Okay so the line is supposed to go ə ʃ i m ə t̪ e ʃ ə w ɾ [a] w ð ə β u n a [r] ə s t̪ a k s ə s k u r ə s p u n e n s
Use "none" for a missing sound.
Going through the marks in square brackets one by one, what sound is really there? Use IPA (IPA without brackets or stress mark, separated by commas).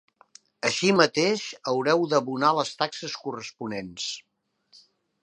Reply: ɛ, l